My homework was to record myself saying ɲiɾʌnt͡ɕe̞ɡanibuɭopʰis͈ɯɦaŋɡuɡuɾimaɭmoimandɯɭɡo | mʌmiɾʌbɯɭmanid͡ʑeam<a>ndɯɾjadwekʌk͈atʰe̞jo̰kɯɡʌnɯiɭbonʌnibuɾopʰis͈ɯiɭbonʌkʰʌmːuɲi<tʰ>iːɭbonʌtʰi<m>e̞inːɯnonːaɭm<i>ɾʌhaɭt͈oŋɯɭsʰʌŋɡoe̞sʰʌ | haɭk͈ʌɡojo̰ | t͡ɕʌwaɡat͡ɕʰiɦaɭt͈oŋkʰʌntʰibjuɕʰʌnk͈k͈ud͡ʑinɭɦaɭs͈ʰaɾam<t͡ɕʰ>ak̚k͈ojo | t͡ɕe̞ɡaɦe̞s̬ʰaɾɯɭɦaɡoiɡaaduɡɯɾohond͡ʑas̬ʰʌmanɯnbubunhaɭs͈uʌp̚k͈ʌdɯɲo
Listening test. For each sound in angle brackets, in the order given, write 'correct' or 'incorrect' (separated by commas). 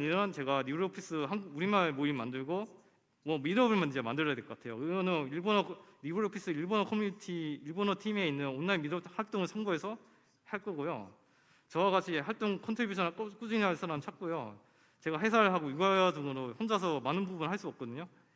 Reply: correct, correct, correct, correct, correct